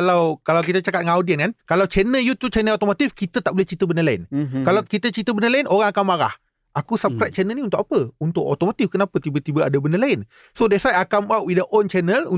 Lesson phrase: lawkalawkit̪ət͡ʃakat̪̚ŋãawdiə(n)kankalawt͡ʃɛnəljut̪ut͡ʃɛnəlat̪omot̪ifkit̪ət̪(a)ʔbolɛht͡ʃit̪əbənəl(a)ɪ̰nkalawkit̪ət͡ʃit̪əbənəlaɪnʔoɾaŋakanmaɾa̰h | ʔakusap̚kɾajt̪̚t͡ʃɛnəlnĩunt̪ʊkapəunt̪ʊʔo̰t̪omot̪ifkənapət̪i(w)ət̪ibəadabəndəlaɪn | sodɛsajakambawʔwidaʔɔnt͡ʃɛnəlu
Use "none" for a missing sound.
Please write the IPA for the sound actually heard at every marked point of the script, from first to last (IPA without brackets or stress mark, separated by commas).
n, a, a, b